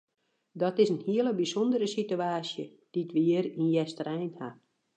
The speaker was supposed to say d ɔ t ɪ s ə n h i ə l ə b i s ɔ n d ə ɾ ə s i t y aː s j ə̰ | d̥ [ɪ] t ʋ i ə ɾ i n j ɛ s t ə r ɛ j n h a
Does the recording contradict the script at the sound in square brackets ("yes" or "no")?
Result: yes